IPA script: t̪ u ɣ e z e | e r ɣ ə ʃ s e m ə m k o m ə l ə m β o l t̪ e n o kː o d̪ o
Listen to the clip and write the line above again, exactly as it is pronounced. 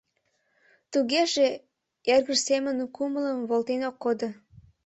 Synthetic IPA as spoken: t̪ u ɣ e ʒ e | e r ɣ ə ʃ s e m ə n k u m ə l ə m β o l t̪ e n o kː o d̪ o